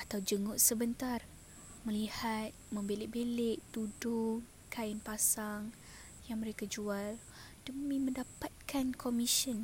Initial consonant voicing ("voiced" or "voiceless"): voiceless